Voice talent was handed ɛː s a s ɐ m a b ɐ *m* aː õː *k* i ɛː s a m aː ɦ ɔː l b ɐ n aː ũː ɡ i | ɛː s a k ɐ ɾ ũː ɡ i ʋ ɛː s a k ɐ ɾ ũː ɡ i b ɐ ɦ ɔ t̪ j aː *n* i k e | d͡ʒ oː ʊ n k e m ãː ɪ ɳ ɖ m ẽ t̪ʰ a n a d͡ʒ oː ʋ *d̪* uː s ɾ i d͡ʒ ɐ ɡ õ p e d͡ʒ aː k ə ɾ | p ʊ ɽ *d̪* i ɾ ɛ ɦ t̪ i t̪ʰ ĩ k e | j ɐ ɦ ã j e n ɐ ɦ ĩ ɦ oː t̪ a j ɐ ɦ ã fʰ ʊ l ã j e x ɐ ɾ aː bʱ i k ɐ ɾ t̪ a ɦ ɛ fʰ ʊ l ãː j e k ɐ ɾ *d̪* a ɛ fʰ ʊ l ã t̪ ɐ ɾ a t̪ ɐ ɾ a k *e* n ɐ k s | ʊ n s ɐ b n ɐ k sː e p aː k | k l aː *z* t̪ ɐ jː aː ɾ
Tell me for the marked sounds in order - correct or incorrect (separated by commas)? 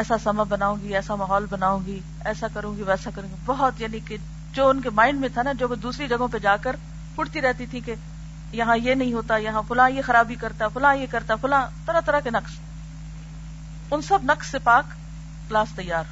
incorrect, incorrect, correct, correct, incorrect, incorrect, correct, incorrect